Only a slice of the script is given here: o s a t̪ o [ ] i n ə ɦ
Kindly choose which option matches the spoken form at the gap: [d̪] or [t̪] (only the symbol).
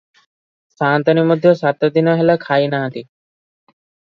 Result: d̪